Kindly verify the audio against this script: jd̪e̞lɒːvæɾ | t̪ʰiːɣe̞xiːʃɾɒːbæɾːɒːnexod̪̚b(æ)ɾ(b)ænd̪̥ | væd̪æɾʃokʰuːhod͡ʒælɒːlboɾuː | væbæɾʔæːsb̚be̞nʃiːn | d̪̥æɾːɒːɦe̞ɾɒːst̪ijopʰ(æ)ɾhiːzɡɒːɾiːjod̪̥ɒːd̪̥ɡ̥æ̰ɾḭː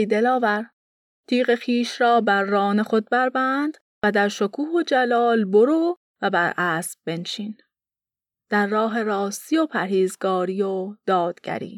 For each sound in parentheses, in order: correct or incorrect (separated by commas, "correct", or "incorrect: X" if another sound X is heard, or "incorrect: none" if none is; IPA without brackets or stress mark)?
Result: correct, correct, correct